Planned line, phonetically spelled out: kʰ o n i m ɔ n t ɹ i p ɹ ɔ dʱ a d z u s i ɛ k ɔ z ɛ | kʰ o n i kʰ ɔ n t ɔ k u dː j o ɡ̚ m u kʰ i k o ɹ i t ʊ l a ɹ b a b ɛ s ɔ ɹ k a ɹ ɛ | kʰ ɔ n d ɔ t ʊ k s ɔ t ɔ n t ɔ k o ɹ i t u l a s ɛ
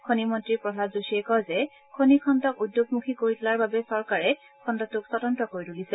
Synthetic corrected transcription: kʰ o n i m ɔ n t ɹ i p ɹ ɔ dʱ a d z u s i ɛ k ɔ z ɛ | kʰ o n i kʰ ɔ n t ɔ k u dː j o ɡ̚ m u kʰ i k o ɹ i t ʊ l a ɹ b a b ɛ s ɔ ɹ k a ɹ ɛ | kʰ ɔ n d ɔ t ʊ k s ɔ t ɔ n t ɔ k o ɹ i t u l i s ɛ